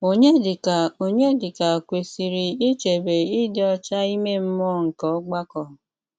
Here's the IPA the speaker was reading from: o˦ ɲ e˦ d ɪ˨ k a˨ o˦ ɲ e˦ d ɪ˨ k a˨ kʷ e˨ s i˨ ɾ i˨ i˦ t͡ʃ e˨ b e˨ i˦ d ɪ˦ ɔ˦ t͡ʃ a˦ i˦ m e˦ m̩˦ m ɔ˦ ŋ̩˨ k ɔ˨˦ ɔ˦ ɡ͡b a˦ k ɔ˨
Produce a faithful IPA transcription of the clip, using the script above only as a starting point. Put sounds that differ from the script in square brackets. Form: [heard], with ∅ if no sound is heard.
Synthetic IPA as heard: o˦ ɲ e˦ d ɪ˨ k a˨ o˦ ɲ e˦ d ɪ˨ k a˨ kʷ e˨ s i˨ ɾ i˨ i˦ t͡ʃ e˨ b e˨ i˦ d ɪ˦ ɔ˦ t͡ʃ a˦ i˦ m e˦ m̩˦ m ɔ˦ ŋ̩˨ k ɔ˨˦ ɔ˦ ɡ͡b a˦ k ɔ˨